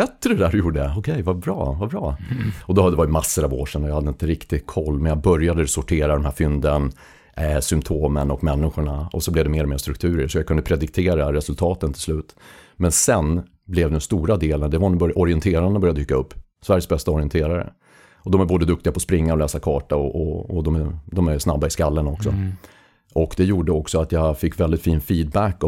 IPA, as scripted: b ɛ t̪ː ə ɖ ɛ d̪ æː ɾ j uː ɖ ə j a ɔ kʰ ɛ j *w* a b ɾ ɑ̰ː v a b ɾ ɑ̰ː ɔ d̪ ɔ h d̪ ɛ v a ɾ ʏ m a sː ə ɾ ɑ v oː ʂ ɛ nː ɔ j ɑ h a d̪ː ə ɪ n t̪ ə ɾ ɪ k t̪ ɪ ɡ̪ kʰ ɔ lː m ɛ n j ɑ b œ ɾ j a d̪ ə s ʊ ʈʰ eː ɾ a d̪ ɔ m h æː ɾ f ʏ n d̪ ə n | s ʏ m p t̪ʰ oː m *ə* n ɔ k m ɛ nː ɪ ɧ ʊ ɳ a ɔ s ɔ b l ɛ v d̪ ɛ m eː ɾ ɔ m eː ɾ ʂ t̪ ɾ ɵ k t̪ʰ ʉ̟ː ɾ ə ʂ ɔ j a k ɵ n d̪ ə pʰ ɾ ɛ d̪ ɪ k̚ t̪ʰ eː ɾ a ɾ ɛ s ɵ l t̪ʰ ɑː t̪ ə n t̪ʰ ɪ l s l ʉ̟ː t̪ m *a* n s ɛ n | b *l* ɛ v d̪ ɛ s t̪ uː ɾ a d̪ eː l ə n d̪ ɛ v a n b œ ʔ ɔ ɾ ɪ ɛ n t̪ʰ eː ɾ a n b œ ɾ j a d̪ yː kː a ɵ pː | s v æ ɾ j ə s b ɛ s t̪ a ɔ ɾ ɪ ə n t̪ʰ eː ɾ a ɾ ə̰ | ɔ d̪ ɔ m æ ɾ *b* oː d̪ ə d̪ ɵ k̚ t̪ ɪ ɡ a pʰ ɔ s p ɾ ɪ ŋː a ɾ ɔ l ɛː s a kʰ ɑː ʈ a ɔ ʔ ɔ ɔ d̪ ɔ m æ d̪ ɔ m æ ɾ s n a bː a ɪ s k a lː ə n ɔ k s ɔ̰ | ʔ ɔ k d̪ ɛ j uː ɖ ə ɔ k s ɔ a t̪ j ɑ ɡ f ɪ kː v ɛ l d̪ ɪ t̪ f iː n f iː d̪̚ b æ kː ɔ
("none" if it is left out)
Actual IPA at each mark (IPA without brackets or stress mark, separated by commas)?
v, ə, ɛ, l, b